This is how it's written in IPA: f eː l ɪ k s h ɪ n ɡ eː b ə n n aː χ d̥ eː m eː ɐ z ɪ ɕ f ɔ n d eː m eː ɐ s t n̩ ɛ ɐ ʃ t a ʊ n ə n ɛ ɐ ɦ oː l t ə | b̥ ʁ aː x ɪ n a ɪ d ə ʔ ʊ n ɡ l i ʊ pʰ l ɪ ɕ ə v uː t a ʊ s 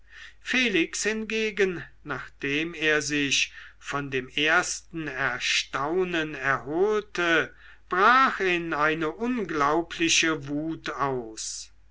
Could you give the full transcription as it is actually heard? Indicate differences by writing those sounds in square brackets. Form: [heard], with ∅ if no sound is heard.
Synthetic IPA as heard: f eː l ɪ k s h ɪ n ɡ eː [ɡ] ə n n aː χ d̥ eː m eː ɐ z ɪ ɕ f ɔ n d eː m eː ɐ s t n̩ ɛ ɐ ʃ t a ʊ n ə n ɛ ɐ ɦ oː l t ə | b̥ ʁ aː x ɪ n a ɪ [n] ə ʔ ʊ n ɡ l [a] ʊ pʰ l ɪ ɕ ə v uː t a ʊ s